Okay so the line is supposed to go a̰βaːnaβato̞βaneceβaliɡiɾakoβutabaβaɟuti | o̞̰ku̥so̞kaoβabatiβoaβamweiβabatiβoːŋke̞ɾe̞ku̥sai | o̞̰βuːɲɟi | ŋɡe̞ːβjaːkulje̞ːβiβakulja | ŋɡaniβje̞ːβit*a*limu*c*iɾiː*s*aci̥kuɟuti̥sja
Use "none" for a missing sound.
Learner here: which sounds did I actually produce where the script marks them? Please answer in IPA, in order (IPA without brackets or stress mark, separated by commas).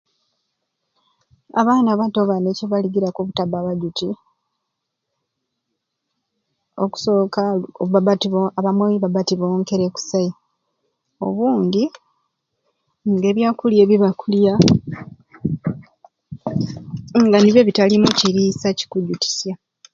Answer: a, c, s